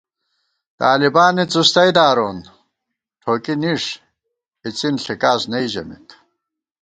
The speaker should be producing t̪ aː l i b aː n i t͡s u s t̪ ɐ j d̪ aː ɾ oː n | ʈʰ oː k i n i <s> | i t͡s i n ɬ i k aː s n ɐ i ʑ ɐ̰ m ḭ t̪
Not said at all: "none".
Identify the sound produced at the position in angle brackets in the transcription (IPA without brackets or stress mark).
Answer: ʂ